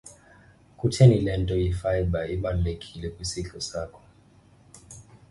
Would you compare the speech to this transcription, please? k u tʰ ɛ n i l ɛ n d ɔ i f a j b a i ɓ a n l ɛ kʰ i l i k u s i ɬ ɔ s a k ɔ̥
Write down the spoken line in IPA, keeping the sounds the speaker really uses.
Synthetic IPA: k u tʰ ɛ n i l ɛ n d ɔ i f a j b a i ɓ a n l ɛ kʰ i l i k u s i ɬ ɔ s a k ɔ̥